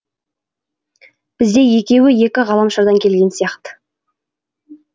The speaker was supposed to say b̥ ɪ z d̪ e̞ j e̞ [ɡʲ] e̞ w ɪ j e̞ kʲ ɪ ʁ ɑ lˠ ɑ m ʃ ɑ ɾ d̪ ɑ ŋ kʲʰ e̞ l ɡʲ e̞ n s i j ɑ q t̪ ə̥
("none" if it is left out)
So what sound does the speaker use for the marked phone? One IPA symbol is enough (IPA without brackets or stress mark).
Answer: kʲ